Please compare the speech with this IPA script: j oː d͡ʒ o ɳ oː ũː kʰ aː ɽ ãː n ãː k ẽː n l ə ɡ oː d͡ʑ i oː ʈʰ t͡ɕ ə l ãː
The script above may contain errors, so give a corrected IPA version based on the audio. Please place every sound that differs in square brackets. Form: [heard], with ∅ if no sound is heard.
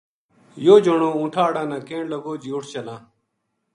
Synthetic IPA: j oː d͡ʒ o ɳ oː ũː [ʈʰ] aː ɽ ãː n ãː k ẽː [ɳ] l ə ɡ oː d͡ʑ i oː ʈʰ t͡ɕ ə l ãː